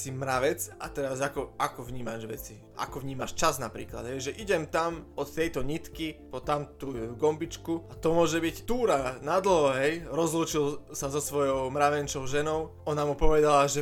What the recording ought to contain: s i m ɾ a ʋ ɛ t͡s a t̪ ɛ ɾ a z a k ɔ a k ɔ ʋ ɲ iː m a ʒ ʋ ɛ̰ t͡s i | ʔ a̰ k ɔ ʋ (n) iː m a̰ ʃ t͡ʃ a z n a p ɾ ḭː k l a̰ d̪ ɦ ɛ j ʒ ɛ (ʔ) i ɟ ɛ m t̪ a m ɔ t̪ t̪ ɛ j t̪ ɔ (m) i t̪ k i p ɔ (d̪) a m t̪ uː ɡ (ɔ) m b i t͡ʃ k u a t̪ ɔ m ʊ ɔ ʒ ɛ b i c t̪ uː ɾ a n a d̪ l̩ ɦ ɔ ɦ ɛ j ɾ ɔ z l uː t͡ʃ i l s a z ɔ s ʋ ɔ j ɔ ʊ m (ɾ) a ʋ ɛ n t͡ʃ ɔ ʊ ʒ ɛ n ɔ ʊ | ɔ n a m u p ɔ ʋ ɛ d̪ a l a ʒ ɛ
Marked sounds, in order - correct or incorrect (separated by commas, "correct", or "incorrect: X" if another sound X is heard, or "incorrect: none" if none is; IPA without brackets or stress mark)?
incorrect: ɲ, correct, incorrect: ɲ, incorrect: t̪, correct, correct